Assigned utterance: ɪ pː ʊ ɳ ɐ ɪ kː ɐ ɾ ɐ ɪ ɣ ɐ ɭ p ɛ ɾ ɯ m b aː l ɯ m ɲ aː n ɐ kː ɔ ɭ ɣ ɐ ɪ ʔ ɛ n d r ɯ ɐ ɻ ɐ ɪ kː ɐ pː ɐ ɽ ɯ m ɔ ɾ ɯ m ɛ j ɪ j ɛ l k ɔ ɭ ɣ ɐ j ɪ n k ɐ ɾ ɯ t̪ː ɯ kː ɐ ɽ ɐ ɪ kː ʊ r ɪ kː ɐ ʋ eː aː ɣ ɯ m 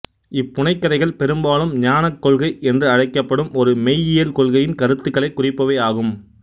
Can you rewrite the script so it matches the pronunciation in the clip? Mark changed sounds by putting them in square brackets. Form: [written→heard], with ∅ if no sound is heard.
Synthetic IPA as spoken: ɪ pː ʊ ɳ ɐ ɪ kː ɐ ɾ ɐ ɪ ɣ ɐ ɭ p ɛ ɾ ɯ m b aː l ɯ m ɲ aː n ɐ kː ɔ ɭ ɣ ɐ ɪ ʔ ɛ n d r ɯ ɐ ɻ ɐ ɪ kː ɐ pː ɐ ɽ ɯ m ɔ ɾ ɯ m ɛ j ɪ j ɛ l k ɔ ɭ ɣ ɐ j ɪ n k ɐ ɾ ɯ t̪ː ɯ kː ɐ [ɽ→ɭ] ɐ ɪ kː ʊ r ɪ [kː→pː] ɐ ʋ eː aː ɣ ɯ m

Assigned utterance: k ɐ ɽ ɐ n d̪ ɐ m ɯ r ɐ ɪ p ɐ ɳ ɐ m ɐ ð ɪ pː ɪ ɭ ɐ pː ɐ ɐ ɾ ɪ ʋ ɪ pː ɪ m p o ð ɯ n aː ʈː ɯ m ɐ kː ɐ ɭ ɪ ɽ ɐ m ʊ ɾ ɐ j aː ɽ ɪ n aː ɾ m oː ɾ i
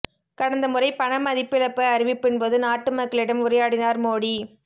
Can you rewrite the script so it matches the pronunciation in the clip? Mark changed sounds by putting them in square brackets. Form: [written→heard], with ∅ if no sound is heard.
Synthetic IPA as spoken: k ɐ ɽ ɐ n d̪ ɐ m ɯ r ɐ ɪ p ɐ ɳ ɐ m ɐ ð ɪ pː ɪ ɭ ɐ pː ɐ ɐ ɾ ɪ ʋ ɪ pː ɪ [m→n] p o ð ɯ n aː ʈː ɯ m ɐ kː ɐ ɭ ɪ ɽ ɐ m ʊ ɾ ɐ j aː ɽ ɪ n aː ɾ m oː [ɾ→ɽ] i

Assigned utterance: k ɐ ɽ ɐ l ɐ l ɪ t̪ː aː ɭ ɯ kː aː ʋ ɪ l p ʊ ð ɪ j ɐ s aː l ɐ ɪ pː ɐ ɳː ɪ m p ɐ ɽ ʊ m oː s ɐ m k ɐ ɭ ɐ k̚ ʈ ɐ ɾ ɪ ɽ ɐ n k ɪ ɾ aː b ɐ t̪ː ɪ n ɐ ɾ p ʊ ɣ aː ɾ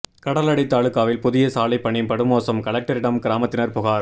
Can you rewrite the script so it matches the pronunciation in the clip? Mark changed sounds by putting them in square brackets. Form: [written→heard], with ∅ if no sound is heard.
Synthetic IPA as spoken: k ɐ ɽ ɐ l ɐ [l→ɽ] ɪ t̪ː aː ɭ ɯ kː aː ʋ ɪ l p ʊ ð ɪ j ɐ s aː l ɐ ɪ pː ɐ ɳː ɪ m p ɐ ɽ [ʊ→ɯ] m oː s ɐ m k ɐ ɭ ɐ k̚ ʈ ɐ ɾ ɪ ɽ ɐ [n→m] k ɪ ɾ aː [b→m] ɐ t̪ː ɪ n ɐ ɾ p ʊ ɣ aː ɾ

